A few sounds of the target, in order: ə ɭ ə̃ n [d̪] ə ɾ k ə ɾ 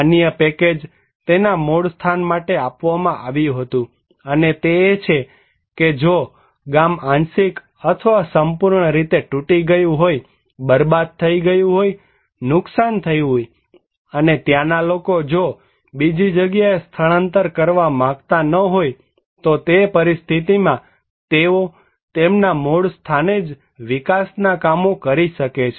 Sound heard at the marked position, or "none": t̪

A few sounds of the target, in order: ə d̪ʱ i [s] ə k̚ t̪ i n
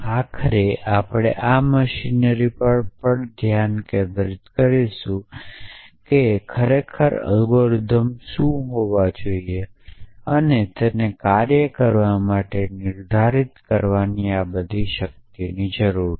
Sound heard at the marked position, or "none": ʃ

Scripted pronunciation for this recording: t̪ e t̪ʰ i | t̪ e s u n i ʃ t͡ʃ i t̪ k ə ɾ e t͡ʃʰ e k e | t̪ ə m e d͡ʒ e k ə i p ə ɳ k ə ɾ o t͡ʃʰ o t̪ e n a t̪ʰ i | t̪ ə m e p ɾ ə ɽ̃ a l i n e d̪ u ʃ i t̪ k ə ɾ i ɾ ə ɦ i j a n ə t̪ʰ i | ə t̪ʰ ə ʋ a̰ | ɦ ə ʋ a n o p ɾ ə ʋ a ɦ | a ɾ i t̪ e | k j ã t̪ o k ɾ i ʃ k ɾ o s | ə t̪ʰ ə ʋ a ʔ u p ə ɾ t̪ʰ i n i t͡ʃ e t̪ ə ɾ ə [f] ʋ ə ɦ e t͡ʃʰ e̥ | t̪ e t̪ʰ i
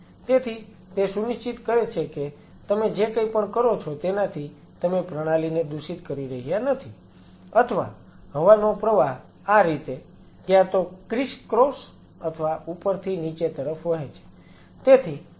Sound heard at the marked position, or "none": f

